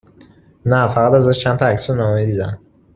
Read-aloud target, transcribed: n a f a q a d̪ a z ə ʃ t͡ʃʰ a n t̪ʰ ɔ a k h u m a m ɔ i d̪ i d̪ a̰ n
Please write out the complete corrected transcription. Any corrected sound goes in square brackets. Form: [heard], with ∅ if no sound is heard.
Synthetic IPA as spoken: n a f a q a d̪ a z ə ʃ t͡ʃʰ a n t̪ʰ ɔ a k [s] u [n] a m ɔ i d̪ i d̪ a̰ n